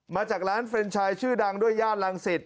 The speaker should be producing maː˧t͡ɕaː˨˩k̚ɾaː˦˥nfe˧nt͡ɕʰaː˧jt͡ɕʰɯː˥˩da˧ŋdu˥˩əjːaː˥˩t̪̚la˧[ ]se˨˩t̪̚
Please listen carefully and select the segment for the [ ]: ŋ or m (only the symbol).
ŋ